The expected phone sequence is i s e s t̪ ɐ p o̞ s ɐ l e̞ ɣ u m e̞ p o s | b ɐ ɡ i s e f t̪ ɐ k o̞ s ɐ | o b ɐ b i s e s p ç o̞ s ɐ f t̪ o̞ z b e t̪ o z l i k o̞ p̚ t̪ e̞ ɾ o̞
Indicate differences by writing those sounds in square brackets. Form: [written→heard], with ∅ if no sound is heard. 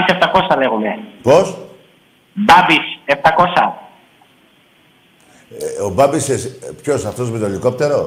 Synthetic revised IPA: i s e [s→f] t̪ ɐ [p→k] o̞ s ɐ l e̞ ɣ u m e̞ p o s | b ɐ [ɡ→b] i s e f t̪ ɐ k o̞ s ɐ | o b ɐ b i s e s p ç o̞ s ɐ f t̪ o̞ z [b→m] e t̪ o [z→∅] l i k o̞ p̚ t̪ e̞ ɾ o̞